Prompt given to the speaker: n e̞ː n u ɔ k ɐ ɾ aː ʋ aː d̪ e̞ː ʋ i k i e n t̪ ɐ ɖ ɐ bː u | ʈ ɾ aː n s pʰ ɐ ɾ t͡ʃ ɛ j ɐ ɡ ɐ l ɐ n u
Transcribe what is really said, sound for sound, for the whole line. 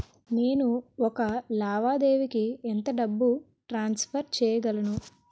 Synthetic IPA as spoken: n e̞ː n u ɔ k ɐ l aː ʋ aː d̪ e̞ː ʋ i k i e n t̪ ɐ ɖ ɐ bː u | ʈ ɾ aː n s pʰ ɐ ɾ t͡ʃ ɛː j ɐ ɡ ɐ l ɐ n u